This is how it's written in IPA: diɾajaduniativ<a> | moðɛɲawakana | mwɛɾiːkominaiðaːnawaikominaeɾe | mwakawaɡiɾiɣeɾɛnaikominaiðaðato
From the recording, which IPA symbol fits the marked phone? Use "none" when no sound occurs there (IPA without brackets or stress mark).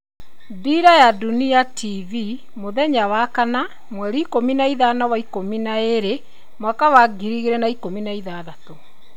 i